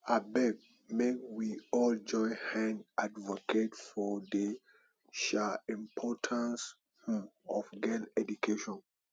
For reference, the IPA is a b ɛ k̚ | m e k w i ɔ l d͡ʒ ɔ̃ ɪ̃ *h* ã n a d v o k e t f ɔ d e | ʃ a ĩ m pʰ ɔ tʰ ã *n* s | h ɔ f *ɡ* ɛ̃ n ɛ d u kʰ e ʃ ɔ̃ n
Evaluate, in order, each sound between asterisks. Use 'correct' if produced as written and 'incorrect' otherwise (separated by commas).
correct, correct, correct